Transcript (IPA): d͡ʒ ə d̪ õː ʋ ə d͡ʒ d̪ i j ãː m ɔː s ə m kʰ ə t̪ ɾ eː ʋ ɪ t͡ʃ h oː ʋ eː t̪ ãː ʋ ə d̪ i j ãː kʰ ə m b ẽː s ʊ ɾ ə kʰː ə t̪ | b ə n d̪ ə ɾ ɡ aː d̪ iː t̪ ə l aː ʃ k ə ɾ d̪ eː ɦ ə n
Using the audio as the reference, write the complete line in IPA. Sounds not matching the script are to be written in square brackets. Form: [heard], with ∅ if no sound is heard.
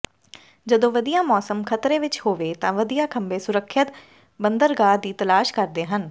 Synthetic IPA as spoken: d͡ʒ ə d̪ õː ʋ ə [∅] d̪ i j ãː m ɔː s ə m kʰ ə t̪ ɾ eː ʋ ɪ t͡ʃ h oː ʋ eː t̪ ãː ʋ ə d̪ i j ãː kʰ ə m b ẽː s ʊ ɾ ə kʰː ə t̪ | b ə n d̪ ə ɾ ɡ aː d̪ iː t̪ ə l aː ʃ k ə ɾ d̪ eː ɦ ə n

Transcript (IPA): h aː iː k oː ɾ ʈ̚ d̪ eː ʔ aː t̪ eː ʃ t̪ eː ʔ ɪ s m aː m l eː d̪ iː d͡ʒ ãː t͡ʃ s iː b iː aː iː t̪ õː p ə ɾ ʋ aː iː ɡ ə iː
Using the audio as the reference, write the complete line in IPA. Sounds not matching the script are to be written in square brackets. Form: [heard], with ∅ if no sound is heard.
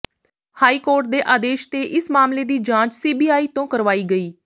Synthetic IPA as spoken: h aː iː k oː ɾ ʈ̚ d̪ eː ʔ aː [d̪] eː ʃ t̪ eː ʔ ɪ s m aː m l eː d̪ iː d͡ʒ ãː t͡ʃ s iː b iː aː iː t̪ õː [k] ə ɾ ʋ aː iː ɡ ə iː

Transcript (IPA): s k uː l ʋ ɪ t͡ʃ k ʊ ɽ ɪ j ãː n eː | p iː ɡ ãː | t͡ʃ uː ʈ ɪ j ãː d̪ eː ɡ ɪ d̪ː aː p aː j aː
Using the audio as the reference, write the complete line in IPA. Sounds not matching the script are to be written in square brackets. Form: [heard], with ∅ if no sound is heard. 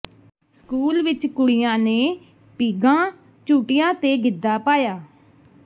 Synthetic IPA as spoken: s k uː l ʋ ɪ t͡ʃ k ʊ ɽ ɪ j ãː n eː | p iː ɡ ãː | t͡ʃ uː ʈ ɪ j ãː [t̪] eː ɡ ɪ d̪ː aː p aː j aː

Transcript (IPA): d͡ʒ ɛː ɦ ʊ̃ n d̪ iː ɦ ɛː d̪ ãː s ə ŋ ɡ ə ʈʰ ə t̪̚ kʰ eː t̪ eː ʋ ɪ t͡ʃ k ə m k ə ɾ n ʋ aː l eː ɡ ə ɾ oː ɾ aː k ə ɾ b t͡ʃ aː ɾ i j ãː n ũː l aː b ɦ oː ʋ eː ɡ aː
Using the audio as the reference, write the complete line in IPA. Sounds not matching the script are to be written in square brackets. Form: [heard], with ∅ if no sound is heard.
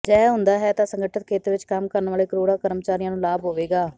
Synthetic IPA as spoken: d͡ʒ ɛː ɦ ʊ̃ n d̪ [aː] ɦ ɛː [t̪] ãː s ə ŋ ɡ ə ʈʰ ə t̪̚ kʰ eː t̪ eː ʋ ɪ t͡ʃ k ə m k ə ɾ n ʋ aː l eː [k] ə ɾ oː [ɽ] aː k ə ɾ [m] t͡ʃ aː ɾ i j ãː n ũː l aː b ɦ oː ʋ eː ɡ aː

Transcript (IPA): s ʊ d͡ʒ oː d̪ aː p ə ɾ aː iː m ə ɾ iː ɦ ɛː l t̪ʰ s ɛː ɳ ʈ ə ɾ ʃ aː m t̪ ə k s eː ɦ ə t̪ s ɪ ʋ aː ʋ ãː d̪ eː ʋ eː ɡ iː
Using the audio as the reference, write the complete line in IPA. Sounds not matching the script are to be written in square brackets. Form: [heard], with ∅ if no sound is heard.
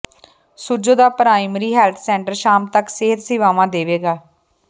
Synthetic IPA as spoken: s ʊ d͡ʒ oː d̪ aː p ə ɾ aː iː m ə ɾ iː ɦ ɛː l t̪ʰ s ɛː ɳ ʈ ə ɾ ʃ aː m t̪ ə k s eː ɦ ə t̪ s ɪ ʋ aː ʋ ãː d̪ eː ʋ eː ɡ [aː]

